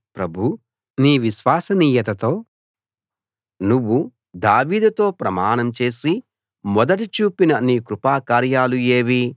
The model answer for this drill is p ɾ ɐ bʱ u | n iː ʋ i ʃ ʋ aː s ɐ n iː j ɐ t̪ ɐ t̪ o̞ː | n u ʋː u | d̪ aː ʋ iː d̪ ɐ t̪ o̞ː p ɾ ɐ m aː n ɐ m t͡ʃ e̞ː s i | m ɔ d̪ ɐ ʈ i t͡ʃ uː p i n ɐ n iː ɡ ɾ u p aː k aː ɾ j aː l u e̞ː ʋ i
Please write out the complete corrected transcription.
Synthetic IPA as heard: p ɾ ɐ bʱ u | n iː ʋ i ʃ ʋ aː s ɐ n iː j ɐ t̪ ɐ t̪ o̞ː | n u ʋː u | d̪ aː ʋ iː d̪ ɐ t̪ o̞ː p ɾ ɐ m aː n ɐ m t͡ʃ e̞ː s i | m ɔ d̪ ɐ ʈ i t͡ʃ uː p i n ɐ n iː k ɾ u p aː k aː ɾ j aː l u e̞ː ʋ i